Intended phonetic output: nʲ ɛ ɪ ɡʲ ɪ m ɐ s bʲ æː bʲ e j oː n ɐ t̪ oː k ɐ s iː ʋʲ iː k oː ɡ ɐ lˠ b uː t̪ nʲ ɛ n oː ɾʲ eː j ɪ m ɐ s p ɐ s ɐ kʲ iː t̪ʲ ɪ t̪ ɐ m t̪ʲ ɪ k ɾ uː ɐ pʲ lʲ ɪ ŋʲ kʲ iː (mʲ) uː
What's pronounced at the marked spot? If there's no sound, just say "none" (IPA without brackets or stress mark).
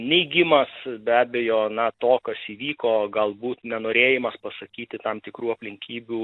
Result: bʲ